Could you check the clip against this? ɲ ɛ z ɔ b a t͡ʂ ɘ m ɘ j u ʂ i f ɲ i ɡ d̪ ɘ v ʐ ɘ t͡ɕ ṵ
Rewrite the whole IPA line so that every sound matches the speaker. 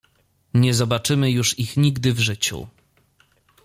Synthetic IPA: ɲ ɛ z ɔ b a t͡ʂ ɘ m ɘ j u ʂ i x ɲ i ɡ d̪ ɘ v ʐ ɘ t͡ɕ ṵ